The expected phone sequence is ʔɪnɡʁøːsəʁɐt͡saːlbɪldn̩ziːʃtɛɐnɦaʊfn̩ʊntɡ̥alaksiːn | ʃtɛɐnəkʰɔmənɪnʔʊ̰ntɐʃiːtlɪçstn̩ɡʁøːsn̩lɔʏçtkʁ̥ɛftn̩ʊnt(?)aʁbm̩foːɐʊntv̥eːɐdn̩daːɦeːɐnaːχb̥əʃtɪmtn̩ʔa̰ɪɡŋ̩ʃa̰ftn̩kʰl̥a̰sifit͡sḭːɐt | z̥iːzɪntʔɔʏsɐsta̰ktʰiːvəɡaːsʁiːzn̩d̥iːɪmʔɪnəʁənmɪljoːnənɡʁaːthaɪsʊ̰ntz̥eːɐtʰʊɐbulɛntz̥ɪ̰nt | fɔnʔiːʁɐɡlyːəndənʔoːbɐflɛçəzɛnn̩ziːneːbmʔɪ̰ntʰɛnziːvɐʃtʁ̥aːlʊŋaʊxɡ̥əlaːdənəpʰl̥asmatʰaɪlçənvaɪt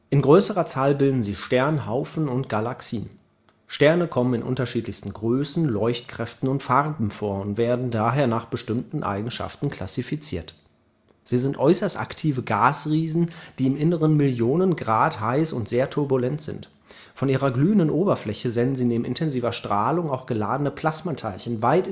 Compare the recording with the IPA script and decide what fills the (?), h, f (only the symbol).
f